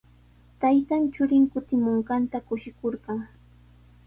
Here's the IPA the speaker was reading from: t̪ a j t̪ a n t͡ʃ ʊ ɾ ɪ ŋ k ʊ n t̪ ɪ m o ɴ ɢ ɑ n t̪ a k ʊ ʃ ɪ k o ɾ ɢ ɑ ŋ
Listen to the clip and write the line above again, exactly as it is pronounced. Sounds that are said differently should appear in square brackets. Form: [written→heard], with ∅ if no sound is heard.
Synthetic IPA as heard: t̪ a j t̪ a n t͡ʃ ʊ ɾ ɪ ŋ k ʊ [n→∅] t̪ ɪ m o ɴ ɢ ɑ n t̪ a k ʊ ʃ ɪ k o ɾ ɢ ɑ ŋ